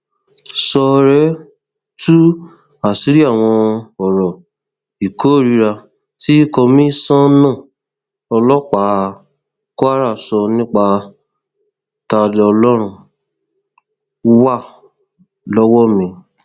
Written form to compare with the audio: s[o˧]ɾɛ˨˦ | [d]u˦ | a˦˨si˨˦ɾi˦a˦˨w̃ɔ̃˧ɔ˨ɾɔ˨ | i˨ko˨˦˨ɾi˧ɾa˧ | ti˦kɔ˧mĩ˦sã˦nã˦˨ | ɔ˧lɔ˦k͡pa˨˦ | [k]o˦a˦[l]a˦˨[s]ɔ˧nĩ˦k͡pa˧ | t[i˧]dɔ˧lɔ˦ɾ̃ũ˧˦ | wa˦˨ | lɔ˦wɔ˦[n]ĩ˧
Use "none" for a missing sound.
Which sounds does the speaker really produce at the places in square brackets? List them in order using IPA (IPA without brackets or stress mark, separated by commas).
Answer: ɔ˧, t, k, ɾ, s, a˧, m